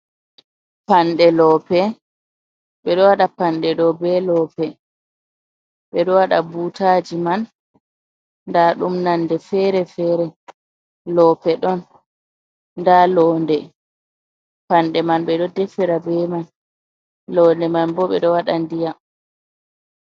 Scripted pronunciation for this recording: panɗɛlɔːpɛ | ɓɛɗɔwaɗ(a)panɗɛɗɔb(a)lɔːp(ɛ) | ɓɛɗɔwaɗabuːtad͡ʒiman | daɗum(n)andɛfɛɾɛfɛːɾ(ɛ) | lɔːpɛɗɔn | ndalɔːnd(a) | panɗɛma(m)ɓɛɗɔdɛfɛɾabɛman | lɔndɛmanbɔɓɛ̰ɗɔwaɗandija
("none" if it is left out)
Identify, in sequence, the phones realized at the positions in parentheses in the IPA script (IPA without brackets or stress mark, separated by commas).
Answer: a, ɛ, ɛ, n, ɛ, ɛ, n